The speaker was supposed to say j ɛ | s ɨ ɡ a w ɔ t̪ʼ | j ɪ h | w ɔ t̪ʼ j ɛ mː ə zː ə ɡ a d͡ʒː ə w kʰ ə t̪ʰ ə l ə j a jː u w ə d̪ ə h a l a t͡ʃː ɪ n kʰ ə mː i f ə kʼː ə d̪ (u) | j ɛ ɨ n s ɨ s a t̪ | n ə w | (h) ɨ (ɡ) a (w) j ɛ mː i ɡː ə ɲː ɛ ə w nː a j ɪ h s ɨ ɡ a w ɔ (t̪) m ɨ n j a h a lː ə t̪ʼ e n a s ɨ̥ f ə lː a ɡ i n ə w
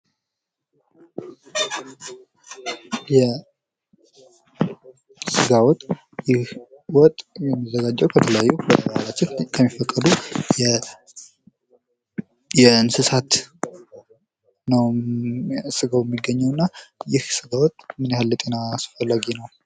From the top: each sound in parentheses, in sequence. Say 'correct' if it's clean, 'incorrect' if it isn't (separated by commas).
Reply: correct, incorrect, correct, correct, incorrect